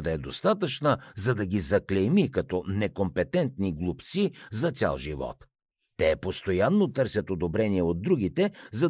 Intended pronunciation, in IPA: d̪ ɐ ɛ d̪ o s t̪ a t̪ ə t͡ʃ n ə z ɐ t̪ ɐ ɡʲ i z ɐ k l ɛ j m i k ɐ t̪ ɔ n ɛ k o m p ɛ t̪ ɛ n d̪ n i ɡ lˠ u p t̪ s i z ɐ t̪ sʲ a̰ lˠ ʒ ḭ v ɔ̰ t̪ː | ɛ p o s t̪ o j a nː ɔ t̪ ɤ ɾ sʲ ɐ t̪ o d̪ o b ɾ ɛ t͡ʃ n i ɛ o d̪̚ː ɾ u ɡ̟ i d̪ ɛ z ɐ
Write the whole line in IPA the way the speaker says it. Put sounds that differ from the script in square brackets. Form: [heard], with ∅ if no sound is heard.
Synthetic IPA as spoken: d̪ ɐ ɛ d̪ o s t̪ a t̪ ə t͡ʃ n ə z ɐ [d̪] ɐ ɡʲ i z ɐ k l ɛ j m i k ɐ t̪ ɔ n ɛ k o m p ɛ t̪ ɛ n [t̪] n i ɡ lˠ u p t̪ s i z ɐ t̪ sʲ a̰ lˠ ʒ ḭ v ɔ̰ t̪ː | ɛ p o s t̪ o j a nː [o] t̪ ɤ ɾ sʲ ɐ t̪ o d̪ o b ɾ ɛ [∅] n i ɛ o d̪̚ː ɾ u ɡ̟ i [t̪] ɛ z ɐ